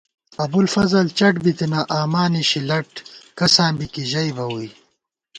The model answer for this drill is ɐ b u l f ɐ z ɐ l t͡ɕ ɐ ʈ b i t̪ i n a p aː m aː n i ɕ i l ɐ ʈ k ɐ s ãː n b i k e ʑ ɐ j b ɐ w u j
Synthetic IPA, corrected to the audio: ɐ b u l f ɐ z ɐ l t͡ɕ ɐ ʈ b i t̪ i n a ʔ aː m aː n i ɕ i l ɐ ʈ k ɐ s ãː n b i k i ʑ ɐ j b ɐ w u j